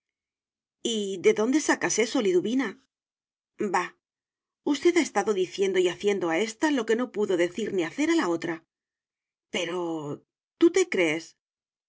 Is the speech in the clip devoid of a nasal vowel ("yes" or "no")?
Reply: yes